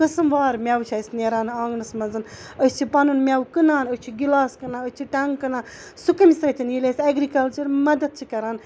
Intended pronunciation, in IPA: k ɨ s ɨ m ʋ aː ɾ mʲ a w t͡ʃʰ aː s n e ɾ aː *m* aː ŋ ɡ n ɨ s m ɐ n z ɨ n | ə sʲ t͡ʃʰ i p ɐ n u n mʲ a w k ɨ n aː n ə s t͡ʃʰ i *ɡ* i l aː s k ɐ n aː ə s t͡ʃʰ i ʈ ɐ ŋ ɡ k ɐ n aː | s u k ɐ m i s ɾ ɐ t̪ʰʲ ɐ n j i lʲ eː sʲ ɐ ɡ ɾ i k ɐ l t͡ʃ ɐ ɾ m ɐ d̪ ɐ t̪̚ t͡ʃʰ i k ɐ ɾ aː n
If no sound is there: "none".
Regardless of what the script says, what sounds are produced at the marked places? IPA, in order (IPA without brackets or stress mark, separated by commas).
n, ɡ